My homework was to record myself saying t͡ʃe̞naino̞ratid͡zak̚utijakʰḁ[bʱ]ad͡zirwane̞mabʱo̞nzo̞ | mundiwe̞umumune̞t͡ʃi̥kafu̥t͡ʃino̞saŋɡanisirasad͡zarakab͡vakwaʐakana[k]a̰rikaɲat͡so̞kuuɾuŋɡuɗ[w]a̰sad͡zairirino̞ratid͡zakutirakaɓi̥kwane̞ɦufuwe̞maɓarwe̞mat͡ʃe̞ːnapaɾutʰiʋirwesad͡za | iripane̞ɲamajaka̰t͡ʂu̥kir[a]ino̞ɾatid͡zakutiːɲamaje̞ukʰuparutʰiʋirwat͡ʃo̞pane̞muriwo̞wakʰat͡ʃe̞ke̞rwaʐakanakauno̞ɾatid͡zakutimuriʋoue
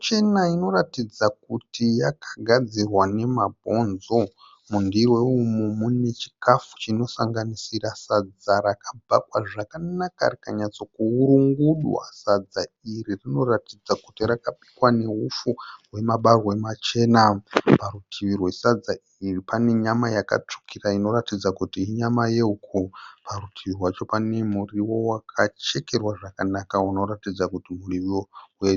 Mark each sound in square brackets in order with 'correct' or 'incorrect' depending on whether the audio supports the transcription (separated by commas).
incorrect, correct, correct, correct